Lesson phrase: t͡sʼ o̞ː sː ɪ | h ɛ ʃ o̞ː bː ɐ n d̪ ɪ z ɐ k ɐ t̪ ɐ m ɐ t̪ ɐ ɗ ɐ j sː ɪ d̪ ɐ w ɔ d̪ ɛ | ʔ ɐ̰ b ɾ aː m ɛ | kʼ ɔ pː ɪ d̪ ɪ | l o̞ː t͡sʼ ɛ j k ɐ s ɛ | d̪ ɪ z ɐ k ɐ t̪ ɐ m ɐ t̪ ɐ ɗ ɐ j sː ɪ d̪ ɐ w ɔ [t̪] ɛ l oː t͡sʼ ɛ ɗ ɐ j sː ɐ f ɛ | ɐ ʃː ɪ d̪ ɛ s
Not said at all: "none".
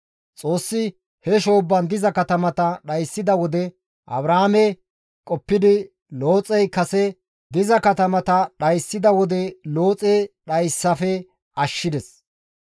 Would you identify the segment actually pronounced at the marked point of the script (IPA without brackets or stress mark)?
d̪